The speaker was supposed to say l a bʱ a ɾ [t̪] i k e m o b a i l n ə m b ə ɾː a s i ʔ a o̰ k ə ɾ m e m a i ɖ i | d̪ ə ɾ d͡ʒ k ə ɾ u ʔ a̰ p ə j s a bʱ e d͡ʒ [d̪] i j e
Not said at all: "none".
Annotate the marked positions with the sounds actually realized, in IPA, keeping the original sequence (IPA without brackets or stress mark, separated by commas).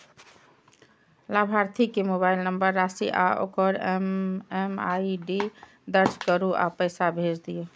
t̪ʰ, d̪